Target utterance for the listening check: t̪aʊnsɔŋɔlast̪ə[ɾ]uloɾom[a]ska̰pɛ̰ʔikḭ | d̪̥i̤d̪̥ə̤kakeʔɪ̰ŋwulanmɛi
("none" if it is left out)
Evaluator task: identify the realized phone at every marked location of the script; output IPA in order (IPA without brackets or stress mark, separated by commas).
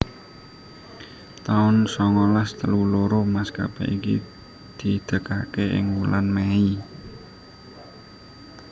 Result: l, a